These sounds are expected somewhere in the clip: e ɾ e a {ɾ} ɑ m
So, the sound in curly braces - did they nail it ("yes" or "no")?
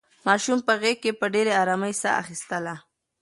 yes